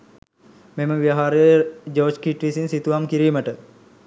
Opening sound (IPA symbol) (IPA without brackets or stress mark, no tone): m